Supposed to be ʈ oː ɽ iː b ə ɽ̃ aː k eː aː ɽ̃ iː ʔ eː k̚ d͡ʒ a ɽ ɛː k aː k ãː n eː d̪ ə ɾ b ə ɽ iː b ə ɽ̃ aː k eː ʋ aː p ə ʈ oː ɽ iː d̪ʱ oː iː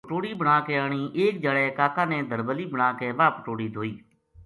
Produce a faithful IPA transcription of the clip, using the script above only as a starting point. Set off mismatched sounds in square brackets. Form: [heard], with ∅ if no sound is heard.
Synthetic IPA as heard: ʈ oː ɽ iː b ə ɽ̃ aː k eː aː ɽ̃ iː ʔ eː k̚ d͡ʒ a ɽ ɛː k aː k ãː n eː d̪ ə ɾ b ə [l] iː b ə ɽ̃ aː k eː ʋ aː p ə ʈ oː ɽ iː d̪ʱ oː iː

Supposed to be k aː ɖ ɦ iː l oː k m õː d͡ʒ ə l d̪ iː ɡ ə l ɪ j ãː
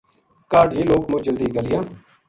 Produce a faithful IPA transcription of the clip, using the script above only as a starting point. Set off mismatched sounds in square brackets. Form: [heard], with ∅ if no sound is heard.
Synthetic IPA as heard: k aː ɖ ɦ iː l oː k m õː d͡ʒ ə l d̪ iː ɡ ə l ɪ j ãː

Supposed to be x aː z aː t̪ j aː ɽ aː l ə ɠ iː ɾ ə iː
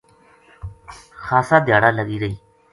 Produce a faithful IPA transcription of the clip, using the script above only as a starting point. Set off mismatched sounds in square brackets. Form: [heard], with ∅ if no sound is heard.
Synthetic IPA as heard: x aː [s] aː [d̪] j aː ɽ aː l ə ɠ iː ɾ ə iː

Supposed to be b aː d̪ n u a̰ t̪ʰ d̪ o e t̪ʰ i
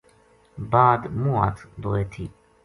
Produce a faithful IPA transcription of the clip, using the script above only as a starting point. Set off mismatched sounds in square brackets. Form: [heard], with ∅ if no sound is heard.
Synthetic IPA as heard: b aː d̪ [m] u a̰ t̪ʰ d̪ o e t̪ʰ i

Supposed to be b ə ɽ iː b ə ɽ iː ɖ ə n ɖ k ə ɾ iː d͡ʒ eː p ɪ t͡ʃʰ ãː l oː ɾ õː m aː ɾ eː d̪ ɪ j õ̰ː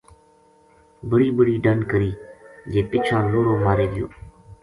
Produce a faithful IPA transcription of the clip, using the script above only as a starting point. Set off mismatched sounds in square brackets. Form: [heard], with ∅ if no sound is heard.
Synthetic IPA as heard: b ə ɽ iː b ə ɽ iː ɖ ə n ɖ k ə ɾ iː d͡ʒ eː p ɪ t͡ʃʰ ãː l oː ɾ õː m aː ɾ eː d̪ ɪ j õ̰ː

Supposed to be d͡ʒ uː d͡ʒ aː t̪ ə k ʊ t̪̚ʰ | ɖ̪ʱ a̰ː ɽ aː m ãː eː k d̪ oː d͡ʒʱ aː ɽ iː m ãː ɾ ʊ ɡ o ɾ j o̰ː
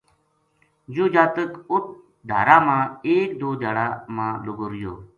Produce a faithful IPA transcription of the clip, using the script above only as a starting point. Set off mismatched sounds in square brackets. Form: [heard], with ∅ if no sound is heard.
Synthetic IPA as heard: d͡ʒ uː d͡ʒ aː t̪ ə k ʊ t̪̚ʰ | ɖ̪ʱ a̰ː [ɾ] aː m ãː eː k d̪ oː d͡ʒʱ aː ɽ [aː] m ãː [l] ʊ ɡ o ɾ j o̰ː

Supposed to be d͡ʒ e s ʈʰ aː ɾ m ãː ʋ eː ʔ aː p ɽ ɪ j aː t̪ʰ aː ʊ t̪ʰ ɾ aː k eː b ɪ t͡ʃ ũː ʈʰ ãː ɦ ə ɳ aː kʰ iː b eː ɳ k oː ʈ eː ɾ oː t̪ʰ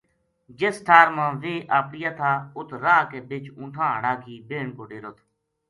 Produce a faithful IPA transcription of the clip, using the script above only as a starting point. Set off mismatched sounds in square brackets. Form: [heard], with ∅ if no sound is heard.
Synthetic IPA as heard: d͡ʒ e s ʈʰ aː ɾ m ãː ʋ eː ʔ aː p ɽ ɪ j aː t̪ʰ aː ʊ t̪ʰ ɾ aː k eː b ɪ t͡ʃ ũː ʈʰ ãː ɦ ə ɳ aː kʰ iː b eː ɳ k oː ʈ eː ɾ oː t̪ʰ

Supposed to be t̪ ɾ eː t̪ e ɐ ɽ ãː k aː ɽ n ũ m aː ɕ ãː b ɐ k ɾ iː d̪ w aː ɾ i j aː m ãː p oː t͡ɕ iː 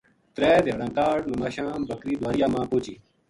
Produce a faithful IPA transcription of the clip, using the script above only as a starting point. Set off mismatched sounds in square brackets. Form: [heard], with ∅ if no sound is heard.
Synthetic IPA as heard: t̪ ɾ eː [d̪] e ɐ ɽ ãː k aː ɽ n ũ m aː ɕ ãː b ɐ k ɾ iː d̪ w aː ɾ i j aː m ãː p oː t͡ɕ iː

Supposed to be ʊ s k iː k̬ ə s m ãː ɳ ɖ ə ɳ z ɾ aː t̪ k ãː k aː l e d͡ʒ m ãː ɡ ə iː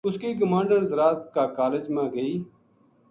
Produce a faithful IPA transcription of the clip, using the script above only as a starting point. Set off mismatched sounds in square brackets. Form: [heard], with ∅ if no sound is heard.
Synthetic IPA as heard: ʊ s k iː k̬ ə [∅] m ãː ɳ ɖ ə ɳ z ɾ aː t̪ k [aː] k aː l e d͡ʒ m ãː ɡ ə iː

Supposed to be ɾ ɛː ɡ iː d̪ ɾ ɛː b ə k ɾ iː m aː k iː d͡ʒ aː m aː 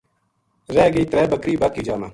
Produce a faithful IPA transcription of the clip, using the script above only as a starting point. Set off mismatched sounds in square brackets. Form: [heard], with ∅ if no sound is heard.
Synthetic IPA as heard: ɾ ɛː ɡ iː [t̪] ɾ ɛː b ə k ɾ iː [b] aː k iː d͡ʒ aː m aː

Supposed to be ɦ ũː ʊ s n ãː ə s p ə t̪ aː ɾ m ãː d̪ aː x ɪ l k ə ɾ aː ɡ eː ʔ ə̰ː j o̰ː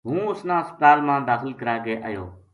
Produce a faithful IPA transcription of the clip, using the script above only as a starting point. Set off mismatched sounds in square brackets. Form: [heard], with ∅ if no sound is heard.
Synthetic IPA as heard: ɦ ũː ʊ s n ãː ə s p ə t̪ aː [l] m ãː d̪ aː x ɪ l k ə ɾ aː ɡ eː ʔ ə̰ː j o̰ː

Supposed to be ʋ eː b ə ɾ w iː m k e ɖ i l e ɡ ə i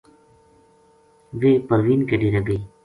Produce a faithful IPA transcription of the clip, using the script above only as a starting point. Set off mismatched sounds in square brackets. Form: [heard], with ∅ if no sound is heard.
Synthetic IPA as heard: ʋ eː [p] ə ɾ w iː [n] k e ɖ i [ɾ] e ɡ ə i

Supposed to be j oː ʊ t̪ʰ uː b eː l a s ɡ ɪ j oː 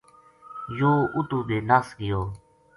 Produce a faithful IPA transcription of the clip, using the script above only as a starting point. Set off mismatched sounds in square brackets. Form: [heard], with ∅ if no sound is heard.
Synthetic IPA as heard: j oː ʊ [t̪] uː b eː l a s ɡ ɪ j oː

